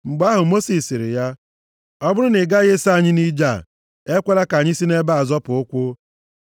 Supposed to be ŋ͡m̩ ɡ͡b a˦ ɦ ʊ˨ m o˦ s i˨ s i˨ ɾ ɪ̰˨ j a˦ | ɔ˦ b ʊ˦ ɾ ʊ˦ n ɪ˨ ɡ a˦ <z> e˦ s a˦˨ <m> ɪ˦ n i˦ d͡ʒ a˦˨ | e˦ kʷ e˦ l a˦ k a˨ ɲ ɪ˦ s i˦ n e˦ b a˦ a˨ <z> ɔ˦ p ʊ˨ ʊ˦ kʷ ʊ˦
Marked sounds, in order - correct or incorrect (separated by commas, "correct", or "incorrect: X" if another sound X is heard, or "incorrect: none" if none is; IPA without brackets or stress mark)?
incorrect: ɣ, incorrect: ɲ, correct